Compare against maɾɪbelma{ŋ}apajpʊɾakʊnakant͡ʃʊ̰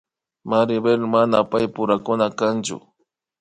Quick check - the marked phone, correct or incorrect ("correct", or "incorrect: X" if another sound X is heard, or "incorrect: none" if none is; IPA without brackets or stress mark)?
incorrect: n